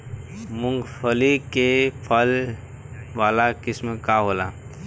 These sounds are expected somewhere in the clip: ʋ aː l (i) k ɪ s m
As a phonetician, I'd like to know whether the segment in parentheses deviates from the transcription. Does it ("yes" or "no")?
yes